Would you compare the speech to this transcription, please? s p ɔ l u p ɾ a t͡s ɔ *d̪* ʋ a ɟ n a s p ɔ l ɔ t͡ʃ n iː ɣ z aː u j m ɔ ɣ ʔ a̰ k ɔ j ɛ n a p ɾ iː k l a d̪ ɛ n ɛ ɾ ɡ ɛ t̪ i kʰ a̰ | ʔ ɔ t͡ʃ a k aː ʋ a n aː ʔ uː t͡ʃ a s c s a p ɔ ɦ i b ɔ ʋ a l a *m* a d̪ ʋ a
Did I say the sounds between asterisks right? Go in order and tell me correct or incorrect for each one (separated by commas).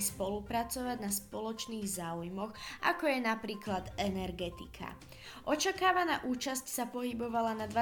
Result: incorrect, incorrect